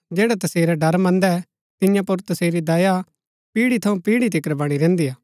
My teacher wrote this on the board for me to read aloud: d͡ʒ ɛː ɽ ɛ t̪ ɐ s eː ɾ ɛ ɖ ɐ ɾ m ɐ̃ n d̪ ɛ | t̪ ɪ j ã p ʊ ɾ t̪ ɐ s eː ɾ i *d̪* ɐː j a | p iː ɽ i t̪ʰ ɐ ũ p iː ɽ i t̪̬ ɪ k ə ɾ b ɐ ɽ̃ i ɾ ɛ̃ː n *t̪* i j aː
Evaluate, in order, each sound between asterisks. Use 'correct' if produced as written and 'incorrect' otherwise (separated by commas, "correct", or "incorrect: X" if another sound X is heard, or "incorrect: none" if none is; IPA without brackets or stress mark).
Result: correct, incorrect: d̪